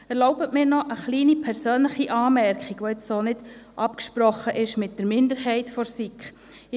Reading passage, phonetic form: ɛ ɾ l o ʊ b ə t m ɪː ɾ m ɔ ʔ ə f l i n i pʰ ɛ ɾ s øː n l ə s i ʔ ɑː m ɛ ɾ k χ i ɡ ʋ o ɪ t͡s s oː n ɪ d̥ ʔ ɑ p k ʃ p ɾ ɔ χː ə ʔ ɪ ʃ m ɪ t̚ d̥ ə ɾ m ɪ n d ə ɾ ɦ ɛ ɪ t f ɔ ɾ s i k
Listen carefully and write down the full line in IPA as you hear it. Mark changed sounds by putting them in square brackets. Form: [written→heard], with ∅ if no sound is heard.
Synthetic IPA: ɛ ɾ l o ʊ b ə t m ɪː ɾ [m→n] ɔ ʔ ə [f→χ] l [i→iː] n i pʰ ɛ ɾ s øː n l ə [s→χ] i ʔ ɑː m ɛ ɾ k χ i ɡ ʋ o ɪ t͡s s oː n ɪ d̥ ʔ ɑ p k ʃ p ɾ ɔ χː ə ʔ ɪ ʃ m ɪ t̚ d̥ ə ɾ m ɪ n d ə ɾ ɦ ɛ ɪ t f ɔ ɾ s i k

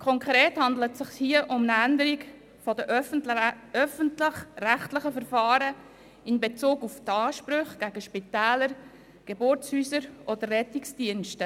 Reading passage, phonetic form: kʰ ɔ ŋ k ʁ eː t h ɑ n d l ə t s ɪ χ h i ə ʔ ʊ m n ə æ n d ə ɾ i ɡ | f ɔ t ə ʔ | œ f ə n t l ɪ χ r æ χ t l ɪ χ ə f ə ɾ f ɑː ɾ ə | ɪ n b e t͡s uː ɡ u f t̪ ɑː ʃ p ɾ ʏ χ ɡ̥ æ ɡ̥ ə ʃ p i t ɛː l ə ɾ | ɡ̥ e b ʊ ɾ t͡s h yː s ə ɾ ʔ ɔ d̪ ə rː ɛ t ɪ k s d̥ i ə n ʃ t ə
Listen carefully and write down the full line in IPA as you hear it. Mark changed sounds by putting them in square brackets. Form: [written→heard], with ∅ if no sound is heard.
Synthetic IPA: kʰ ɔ ŋ k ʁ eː t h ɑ n d l ə t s ɪ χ h i ə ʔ ʊ m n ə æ n d ə ɾ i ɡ | f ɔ [t→d] ə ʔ | œ f ə n t l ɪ χ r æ χ t l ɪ χ ə f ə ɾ f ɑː ɾ ə | ɪ n b e t͡s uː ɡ u f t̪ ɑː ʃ p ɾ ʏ χ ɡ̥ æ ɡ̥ ə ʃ p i t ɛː l ə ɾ | ɡ̥ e b ʊ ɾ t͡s h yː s ə ɾ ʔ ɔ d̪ ə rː ɛ t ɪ k s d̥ i ə n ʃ t ə

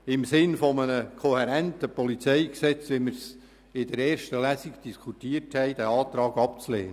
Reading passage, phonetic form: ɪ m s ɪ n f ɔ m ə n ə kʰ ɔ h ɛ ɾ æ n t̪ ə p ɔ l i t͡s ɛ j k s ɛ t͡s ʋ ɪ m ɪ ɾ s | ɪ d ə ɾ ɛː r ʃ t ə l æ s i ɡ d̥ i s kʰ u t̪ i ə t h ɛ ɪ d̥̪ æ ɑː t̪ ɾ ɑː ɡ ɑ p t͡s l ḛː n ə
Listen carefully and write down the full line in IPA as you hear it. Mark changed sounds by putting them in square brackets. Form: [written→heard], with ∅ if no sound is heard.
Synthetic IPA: ɪ m s ɪ n f ɔ m ə n ə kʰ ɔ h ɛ ɾ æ n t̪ ə p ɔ l i t͡s ɛ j k s ɛ t͡s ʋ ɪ m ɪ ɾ s | ɪ d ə ɾ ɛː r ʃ t ə l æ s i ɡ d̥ i s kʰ u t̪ i ə t h ɛ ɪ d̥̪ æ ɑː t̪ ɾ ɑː ɡ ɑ p t͡s l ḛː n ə

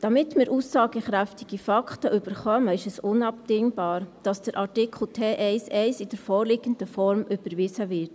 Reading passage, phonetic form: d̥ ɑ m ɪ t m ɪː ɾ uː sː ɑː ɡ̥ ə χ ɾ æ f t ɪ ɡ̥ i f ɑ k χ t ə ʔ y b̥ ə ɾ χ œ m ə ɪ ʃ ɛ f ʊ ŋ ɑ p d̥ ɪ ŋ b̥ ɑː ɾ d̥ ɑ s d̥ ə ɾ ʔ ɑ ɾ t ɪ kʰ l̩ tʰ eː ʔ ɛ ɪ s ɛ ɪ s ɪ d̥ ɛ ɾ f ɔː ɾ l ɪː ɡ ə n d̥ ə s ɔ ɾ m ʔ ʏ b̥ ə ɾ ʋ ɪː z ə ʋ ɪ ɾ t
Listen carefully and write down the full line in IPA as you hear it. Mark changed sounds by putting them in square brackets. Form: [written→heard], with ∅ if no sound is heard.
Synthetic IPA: d̥ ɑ m ɪ t m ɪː ɾ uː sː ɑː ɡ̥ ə χ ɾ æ f t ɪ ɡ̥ i f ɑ k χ t ə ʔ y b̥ ə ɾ χ œ m ə ɪ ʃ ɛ [f→s] ʊ [ŋ→n] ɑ p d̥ ɪ ŋ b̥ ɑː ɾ d̥ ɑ s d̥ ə ɾ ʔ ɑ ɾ t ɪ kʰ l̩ tʰ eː ʔ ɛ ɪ s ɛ ɪ s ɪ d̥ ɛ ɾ f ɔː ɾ l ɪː ɡ ə n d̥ ə [s→f] ɔ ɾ m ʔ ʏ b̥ ə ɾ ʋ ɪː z ə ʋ ɪ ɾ t

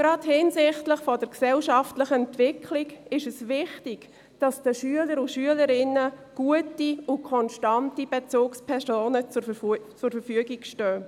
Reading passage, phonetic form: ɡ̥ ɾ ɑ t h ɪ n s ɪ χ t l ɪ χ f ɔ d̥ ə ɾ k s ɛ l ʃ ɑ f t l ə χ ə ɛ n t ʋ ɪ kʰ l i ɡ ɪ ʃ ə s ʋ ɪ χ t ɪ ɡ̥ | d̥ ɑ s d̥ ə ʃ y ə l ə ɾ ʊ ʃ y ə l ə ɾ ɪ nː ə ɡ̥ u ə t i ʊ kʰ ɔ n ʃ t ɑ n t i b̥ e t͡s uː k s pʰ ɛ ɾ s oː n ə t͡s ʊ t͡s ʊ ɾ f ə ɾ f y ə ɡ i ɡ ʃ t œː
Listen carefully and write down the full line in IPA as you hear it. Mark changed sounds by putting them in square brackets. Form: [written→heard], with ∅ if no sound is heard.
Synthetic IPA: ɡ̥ ɾ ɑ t h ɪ n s ɪ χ t l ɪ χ f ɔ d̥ ə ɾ k s ɛ l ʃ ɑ f t l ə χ ə ɛ n t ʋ ɪ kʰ l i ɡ ɪ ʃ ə s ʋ ɪ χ t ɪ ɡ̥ | d̥ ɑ s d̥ ə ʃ y ə l ə ɾ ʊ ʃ y ə l ə ɾ ɪ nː ə ɡ̥ u ə t i ʊ kʰ ɔ n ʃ t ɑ n t i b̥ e t͡s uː k s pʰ ɛ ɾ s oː n ə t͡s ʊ t͡s ʊ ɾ f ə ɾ f y ə ɡ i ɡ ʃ t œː

